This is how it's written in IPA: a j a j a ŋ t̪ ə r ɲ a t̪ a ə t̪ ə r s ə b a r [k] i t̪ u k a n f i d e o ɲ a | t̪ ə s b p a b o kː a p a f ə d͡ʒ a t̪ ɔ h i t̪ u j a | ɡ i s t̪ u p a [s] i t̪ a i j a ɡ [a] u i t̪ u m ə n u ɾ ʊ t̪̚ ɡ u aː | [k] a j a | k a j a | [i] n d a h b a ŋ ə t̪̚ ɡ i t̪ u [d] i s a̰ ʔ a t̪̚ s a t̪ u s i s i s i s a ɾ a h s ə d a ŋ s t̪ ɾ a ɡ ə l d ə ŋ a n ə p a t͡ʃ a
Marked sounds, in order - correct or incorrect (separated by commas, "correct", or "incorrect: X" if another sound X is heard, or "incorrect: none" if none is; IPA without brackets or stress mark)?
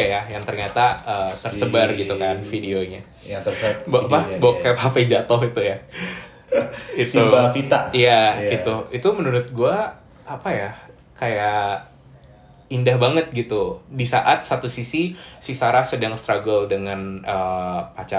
incorrect: ɡ, incorrect: f, incorrect: i, incorrect: p, correct, correct